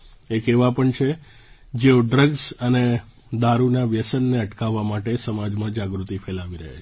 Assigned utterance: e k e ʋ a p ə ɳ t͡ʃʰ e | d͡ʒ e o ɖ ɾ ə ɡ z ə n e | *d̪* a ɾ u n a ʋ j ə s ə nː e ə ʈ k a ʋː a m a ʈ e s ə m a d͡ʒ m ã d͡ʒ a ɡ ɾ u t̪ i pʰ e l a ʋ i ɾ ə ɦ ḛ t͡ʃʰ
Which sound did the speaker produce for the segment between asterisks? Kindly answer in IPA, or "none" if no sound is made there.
d̪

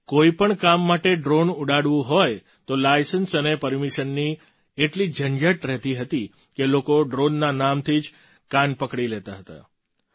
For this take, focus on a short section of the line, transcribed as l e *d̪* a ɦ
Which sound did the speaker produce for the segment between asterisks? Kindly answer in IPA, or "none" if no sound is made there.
t̪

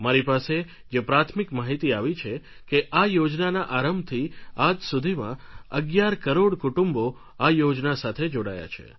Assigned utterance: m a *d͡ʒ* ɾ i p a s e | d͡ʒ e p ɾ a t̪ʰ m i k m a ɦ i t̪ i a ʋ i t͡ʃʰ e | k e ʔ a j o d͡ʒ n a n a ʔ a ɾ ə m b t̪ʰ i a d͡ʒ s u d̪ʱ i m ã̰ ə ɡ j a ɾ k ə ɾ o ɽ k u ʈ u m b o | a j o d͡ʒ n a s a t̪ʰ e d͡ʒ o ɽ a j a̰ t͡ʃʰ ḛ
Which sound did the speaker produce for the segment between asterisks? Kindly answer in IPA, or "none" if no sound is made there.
none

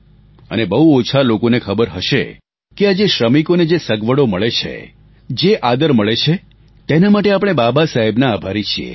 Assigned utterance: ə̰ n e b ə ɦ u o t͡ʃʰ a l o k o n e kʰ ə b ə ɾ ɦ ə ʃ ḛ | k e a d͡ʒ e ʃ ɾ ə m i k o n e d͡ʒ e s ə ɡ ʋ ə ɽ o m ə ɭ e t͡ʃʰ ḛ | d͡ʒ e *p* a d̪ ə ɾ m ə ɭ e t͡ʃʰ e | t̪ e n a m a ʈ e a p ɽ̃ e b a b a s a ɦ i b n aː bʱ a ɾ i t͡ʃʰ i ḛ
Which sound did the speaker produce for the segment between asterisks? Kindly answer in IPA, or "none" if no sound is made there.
ʔ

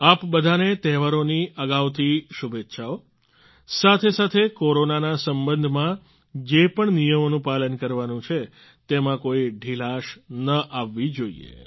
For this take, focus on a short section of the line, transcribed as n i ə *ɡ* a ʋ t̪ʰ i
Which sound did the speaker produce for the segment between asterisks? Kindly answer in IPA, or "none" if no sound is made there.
ɡ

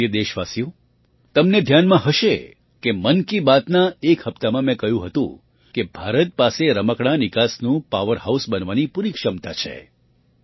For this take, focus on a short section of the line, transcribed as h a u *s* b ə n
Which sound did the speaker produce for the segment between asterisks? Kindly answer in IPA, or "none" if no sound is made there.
s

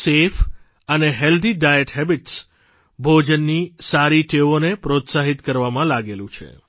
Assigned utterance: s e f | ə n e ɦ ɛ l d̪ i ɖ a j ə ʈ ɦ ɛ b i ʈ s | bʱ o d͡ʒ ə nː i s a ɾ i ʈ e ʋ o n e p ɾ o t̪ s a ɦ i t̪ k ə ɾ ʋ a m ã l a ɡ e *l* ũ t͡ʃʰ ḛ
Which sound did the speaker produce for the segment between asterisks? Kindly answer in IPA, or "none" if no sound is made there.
l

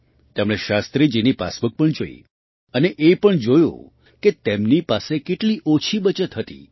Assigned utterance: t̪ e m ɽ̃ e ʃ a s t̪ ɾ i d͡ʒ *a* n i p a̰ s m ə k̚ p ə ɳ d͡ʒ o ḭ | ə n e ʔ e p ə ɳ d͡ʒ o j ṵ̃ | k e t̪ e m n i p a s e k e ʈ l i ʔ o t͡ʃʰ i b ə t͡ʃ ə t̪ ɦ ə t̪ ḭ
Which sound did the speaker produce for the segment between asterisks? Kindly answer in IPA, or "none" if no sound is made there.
i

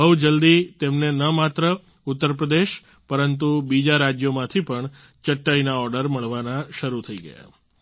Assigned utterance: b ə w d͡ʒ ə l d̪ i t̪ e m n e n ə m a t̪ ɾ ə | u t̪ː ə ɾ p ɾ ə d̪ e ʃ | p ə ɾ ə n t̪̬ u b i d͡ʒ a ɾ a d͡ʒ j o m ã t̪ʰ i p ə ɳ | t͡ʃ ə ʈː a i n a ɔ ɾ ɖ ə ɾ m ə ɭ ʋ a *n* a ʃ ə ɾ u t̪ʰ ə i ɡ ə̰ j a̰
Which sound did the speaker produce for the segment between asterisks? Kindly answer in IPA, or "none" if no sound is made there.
n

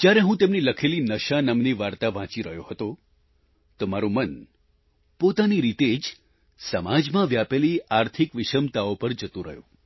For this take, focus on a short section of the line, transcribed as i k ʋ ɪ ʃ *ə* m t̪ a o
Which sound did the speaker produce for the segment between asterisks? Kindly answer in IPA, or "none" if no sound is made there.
ə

